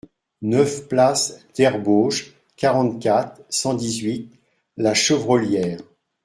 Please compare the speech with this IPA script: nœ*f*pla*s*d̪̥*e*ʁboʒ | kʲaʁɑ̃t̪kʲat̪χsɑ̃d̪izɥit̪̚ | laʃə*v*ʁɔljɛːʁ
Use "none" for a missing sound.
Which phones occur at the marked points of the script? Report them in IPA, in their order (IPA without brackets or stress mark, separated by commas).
f, s, ɛ, v